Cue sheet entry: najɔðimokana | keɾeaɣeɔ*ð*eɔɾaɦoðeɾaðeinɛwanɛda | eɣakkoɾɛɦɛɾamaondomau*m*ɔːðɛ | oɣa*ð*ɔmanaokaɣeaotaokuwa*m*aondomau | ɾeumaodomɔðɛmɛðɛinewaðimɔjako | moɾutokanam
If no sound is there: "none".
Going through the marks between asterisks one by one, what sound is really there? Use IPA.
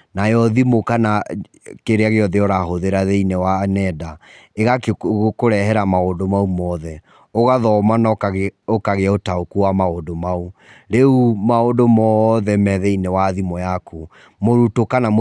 ð, m, ð, m

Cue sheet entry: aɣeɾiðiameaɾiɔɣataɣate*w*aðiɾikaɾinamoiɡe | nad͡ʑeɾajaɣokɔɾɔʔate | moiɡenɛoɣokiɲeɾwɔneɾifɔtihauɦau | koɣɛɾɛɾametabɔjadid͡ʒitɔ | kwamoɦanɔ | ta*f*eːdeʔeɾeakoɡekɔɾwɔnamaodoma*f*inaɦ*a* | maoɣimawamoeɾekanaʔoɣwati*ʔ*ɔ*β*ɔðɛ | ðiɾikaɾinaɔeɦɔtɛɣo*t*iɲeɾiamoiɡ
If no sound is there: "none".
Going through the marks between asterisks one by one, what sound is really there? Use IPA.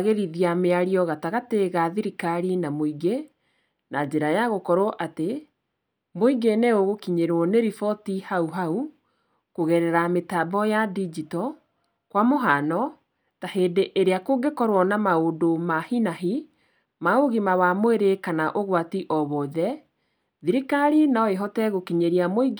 ɣ, h, h, i, ʔ, β, k

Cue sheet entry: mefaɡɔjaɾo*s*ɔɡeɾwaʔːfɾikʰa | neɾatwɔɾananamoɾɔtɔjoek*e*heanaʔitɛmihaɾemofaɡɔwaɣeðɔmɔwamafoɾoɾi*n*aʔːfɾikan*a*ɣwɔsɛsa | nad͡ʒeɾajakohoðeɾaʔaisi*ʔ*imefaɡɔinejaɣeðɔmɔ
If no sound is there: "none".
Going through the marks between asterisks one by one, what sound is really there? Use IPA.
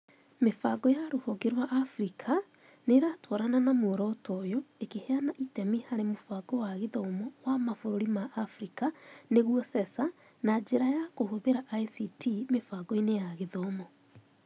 h, e, m, e, t

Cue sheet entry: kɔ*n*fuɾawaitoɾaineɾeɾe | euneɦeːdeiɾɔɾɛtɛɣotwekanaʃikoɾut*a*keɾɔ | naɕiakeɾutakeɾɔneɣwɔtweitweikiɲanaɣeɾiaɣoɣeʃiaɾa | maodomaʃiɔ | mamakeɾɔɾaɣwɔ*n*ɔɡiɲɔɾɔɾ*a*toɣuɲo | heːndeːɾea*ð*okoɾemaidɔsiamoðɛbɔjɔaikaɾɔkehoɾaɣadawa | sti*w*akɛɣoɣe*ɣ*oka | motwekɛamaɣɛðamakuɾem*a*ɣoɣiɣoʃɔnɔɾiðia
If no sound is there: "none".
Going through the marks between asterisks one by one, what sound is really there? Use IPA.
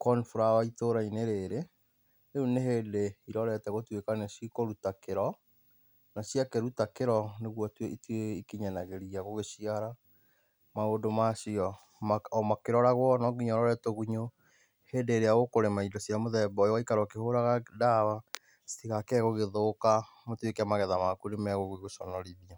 n, a, n, ɛ, ɣ, ɣ, ð, ɛ

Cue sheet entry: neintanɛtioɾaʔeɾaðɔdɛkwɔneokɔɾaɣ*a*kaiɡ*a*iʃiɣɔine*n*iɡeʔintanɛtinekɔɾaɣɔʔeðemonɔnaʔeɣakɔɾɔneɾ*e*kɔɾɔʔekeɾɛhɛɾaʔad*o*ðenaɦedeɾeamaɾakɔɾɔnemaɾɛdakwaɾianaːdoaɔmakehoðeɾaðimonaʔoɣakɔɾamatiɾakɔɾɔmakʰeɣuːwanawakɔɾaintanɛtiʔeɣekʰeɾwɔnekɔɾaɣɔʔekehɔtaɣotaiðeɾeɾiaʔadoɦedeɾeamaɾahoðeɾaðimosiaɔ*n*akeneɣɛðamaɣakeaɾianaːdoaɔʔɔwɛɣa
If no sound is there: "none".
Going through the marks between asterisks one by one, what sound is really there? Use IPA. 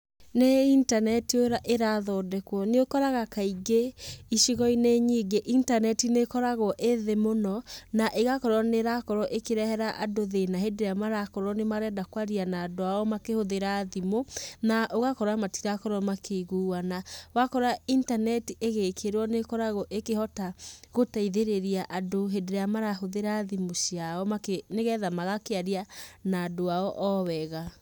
a, e, ɲ, a, o, m

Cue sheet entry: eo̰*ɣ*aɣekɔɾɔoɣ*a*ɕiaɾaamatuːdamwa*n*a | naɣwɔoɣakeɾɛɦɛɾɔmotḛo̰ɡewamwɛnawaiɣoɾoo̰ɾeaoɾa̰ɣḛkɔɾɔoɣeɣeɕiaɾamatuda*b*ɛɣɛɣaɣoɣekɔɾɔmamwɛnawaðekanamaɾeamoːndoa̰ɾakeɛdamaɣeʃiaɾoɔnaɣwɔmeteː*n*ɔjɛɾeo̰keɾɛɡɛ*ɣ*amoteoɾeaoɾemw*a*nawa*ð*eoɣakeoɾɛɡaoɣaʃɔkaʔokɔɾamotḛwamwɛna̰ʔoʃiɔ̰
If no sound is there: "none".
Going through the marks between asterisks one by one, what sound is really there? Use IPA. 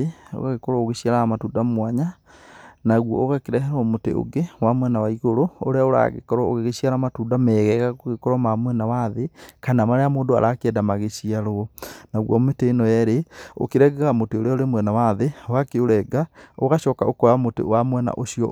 ɣ, e, ɲ, m, n, ɣ, ɛ, ð

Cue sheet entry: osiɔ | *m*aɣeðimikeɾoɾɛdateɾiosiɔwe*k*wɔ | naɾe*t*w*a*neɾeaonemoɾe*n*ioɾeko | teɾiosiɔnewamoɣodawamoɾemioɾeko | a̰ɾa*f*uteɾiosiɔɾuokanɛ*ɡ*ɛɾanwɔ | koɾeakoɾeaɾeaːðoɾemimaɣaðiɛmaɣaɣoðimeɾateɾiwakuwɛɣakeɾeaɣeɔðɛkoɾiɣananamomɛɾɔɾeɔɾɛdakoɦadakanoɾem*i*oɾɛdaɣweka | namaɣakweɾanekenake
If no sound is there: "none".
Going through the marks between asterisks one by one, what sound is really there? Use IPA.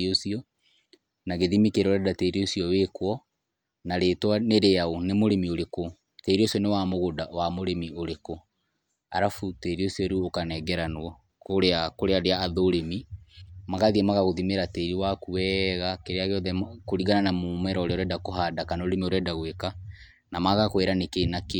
n, k, t, a, m, f, ɡ, i

